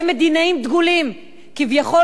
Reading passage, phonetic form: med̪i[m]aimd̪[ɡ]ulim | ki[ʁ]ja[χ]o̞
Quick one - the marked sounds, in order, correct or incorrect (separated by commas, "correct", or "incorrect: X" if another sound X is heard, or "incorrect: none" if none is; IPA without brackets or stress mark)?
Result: incorrect: n, correct, incorrect: v, correct